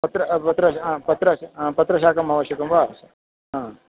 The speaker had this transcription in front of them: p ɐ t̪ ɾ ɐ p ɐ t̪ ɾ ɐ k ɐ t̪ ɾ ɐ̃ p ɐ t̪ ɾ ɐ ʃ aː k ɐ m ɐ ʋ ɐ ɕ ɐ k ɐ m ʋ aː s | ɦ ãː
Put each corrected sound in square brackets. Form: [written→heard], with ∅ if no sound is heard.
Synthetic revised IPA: p ɐ t̪ ɾ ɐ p ɐ t̪ ɾ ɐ [k→p] ɐ t̪ ɾ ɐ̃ p ɐ t̪ ɾ ɐ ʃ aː k ɐ m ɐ ʋ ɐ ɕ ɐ k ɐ m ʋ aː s | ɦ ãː